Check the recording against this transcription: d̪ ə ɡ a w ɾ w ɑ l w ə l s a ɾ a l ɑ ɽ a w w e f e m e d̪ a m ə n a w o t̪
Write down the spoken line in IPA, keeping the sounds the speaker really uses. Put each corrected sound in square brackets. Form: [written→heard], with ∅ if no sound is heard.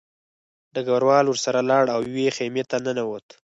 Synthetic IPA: d̪ ə ɡ a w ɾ w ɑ l w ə [l→ɾ] s a ɾ a l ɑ ɽ a w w e [f→x] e m e [d̪→t̪] a [m→n] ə n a w o t̪

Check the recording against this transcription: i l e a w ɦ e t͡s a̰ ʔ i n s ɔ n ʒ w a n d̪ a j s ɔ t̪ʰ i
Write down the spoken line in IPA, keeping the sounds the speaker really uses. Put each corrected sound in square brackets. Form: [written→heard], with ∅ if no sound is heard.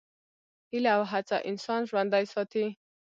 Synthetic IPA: i l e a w ɦ [e→a] t͡s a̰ ʔ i n s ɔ n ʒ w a n d̪ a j s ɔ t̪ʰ i

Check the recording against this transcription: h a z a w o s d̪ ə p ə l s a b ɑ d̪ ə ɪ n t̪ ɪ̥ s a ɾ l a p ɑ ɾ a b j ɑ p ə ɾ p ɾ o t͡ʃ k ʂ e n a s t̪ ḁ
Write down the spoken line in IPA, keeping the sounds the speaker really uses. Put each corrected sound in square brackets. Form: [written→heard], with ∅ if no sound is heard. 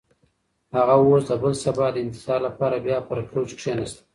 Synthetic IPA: h a [z→ɣ] a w o s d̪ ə [p→b] ə l s a b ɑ d̪ ə ɪ n t̪ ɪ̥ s [a→ɑ] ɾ l a p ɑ ɾ a b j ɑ p ə ɾ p ɾ o t͡ʃ k ʂ e n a s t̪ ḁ

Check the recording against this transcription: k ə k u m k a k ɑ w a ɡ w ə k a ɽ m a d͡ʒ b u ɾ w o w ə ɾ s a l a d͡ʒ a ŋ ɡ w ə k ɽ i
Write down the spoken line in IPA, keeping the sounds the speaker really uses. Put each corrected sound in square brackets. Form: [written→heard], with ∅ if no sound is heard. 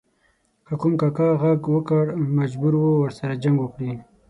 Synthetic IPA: k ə k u m k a k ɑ [w→ɣ] a ɡ w ə k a ɽ m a d͡ʒ b u ɾ w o w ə ɾ s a [l→ɾ] a d͡ʒ a ŋ ɡ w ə k ɽ i

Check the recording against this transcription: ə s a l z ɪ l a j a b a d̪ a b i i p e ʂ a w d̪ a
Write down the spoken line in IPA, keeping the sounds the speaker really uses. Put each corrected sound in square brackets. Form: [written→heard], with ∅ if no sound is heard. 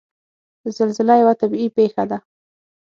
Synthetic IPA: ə [s→z] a l z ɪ l a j a [b→w] a [d̪→t̪] a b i i p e [ʂ→x] a [w→∅] d̪ a

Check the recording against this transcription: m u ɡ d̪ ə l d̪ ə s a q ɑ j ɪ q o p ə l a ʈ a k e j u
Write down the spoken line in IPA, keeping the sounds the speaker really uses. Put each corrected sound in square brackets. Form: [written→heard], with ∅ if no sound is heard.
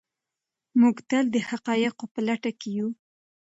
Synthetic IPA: m u ɡ [d̪→t̪] ə l d̪ ə [s→h] a q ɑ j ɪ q o p ə l a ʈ a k e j u

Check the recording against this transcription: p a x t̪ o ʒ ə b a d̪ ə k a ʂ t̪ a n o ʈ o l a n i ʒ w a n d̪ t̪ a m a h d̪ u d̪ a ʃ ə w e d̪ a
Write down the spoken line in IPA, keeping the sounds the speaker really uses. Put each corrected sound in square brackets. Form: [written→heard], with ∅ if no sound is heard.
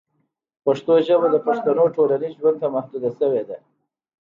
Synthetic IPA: p a [x→ʂ] t̪ o ʒ ə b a d̪ ə [k→p] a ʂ t̪ a n o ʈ o l a n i ʒ w a n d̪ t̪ a m a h d̪ u d̪ a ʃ ə w e d̪ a

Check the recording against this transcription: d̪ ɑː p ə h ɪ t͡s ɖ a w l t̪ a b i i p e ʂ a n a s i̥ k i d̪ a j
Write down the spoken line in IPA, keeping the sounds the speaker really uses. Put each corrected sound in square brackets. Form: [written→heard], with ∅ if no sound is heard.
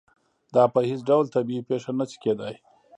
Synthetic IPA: d̪ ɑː p ə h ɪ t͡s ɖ a w l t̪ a b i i p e ʂ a n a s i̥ k [i→e] d̪ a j

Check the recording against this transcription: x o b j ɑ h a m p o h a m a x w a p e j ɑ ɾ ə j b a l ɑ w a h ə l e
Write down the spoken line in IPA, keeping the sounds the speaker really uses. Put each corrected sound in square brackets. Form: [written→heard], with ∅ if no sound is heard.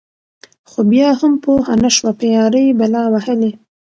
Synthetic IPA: x o b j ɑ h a m p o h a [m→n] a [x→ʃ] w a p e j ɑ ɾ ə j b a l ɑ w a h ə l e

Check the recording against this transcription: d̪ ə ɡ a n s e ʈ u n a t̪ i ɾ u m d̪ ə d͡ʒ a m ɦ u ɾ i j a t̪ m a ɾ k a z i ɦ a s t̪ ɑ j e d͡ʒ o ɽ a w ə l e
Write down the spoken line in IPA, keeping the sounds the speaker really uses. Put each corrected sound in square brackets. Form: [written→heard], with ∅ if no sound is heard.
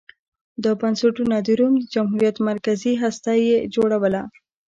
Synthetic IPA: d̪ ə [ɡ→b] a n s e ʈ u n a [t̪→d̪] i ɾ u m d̪ ə d͡ʒ a m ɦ u ɾ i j a t̪ m a ɾ k a z i ɦ a s t̪ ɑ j e d͡ʒ o ɽ a w ə l [e→a]

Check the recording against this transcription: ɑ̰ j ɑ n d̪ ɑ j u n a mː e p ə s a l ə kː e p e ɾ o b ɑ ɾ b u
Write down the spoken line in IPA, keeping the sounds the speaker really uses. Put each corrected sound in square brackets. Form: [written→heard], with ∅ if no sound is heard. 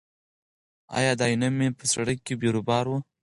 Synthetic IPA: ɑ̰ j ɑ [n→∅] d̪ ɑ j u n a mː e p ə s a [l→ɽ] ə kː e [p→b] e ɾ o b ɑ ɾ [b→w] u

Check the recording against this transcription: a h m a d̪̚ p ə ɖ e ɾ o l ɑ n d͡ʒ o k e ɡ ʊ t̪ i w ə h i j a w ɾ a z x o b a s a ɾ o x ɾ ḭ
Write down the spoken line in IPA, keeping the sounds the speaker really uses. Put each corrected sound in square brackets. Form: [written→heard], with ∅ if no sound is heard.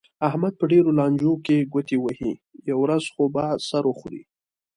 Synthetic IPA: a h m a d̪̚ p ə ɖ e ɾ o l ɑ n d͡ʒ o k e ɡ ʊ t̪ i w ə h i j a w ɾ a z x o b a s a ɾ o x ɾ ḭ

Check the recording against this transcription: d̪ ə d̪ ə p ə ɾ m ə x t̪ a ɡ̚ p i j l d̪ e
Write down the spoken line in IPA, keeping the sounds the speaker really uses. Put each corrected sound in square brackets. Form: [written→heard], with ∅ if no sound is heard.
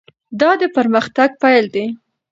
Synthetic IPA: d̪ [ə→ɑ] d̪ ə p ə ɾ m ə x t̪ a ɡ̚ p [i→a] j l d̪ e

